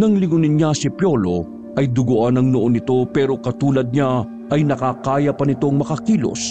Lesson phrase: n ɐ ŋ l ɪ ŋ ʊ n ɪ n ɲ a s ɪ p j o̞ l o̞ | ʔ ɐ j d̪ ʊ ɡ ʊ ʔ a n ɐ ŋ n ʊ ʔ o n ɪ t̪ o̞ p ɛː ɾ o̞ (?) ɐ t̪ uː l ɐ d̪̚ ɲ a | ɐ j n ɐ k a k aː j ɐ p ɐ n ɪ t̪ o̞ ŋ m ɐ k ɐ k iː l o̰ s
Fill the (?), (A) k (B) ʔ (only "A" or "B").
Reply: A